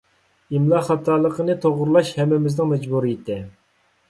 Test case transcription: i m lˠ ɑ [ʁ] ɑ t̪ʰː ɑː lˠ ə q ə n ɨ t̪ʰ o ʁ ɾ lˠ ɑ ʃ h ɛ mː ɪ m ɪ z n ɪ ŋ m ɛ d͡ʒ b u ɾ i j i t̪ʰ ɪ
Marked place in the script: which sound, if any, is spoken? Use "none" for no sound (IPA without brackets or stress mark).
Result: χ